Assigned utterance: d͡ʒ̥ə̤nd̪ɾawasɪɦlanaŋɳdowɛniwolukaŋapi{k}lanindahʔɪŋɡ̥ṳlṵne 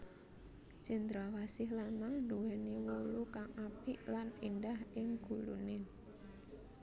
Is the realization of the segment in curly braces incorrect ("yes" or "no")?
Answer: yes